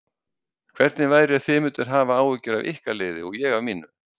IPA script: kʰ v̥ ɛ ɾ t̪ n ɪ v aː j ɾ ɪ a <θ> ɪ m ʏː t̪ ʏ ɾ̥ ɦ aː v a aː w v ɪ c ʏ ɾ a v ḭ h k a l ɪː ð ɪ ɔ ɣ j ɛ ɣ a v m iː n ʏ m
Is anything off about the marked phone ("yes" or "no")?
no